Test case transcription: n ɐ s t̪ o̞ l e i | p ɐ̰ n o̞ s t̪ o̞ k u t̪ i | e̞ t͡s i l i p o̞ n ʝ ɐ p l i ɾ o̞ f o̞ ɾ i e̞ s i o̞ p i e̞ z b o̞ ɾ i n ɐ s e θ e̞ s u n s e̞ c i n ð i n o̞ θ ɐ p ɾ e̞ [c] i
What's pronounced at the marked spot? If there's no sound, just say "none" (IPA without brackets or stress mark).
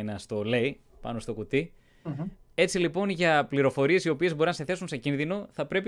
p